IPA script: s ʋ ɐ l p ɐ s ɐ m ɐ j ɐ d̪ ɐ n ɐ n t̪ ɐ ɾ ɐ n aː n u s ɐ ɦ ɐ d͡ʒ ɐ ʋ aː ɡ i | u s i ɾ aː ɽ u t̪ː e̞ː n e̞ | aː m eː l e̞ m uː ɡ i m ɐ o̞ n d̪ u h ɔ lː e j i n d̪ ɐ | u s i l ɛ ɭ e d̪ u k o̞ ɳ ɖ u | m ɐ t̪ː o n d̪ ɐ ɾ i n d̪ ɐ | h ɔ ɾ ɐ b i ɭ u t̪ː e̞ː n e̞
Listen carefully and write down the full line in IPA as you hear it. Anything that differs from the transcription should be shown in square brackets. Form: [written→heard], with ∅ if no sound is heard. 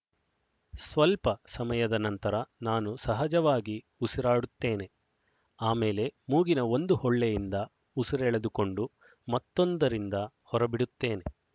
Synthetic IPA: s ʋ ɐ l p ɐ s ɐ m ɐ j ɐ d̪ ɐ n ɐ n t̪ ɐ ɾ ɐ n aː n u s ɐ ɦ ɐ d͡ʒ ɐ ʋ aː ɡ i | u s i ɾ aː ɽ u t̪ː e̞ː n e̞ | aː m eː l e̞ m uː ɡ i [m→n] ɐ o̞ n d̪ u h ɔ [lː→ɭː] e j i n d̪ ɐ | u s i [l→ɾ] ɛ ɭ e d̪ u k o̞ ɳ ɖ u | m ɐ t̪ː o n d̪ ɐ ɾ i n d̪ ɐ | h ɔ ɾ ɐ b i [ɭ→ɽ] u t̪ː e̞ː n e̞

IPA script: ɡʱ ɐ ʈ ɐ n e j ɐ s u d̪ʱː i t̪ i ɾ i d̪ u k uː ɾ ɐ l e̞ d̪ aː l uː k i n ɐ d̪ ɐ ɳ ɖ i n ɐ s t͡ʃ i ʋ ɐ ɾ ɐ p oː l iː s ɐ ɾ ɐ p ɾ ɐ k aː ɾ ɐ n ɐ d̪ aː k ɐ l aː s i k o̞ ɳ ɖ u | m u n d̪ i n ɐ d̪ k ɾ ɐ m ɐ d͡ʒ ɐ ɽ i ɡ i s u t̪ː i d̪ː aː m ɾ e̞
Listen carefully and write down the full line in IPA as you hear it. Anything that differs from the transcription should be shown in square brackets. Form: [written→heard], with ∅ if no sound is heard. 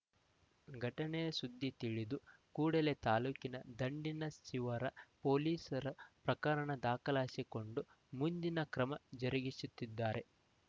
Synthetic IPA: ɡʱ ɐ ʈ ɐ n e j ɐ s u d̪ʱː i t̪ i [ɾ→ɭ] i d̪ u k uː [ɾ→ɽ] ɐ l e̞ [d̪→t̪] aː l uː k i n ɐ d̪ ɐ ɳ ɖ i n ɐ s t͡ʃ i ʋ ɐ ɾ ɐ p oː l iː s ɐ ɾ ɐ p ɾ ɐ k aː ɾ ɐ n ɐ d̪ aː k ɐ l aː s i k o̞ ɳ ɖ u | m u n d̪ i n ɐ [d̪→∅] k ɾ ɐ m ɐ d͡ʒ ɐ [ɽ→ɾ] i ɡ i s u t̪ː i d̪ː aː [m→∅] ɾ e̞

